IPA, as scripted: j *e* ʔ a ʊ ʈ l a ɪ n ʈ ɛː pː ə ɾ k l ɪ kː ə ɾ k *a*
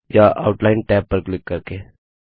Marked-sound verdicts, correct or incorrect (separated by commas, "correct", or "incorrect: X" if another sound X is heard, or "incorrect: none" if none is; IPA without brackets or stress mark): incorrect: a, incorrect: e